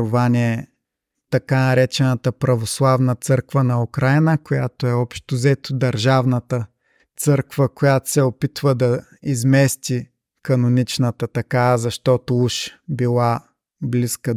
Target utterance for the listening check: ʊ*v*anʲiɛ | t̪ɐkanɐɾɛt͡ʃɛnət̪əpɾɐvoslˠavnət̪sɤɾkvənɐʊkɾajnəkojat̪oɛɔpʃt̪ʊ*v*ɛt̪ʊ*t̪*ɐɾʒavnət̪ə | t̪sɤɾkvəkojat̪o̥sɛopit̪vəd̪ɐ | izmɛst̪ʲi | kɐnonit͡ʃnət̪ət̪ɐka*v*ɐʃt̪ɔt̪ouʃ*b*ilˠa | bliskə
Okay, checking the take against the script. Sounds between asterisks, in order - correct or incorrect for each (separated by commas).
correct, incorrect, incorrect, incorrect, correct